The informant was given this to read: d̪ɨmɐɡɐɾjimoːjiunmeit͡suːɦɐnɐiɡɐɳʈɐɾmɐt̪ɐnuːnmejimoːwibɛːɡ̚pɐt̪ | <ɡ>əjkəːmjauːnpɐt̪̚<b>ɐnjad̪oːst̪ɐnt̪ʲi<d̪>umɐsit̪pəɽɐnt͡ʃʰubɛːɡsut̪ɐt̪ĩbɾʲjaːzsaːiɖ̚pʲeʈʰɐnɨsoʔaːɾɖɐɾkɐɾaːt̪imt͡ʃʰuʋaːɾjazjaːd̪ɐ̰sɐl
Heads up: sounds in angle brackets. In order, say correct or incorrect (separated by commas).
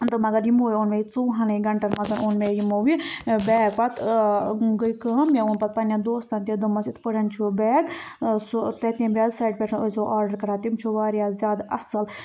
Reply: correct, incorrect, correct